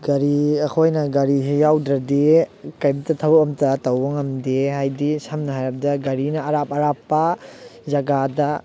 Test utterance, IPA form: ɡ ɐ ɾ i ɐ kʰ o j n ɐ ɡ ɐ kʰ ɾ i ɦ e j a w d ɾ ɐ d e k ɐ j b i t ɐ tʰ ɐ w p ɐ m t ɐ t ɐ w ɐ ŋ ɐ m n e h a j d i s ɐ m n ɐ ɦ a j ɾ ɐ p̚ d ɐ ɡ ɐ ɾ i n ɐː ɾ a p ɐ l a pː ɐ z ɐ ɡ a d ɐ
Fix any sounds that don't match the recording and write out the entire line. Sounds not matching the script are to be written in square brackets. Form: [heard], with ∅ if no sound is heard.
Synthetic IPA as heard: ɡ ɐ ɾ i ɐ kʰ o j n ɐ ɡ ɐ [∅] ɾ i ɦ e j a w d ɾ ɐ d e k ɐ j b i t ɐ tʰ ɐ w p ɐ m t ɐ t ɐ w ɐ ŋ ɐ m [d] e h a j d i s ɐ m n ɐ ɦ a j ɾ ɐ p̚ d ɐ ɡ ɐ ɾ i n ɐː ɾ a p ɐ [ɾ] a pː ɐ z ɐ ɡ a d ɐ